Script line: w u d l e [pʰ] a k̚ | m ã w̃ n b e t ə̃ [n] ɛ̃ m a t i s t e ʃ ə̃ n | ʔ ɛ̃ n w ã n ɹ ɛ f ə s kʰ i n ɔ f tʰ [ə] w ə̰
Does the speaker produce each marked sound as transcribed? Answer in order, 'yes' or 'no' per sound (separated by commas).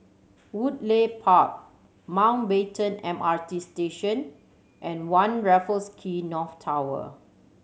yes, yes, no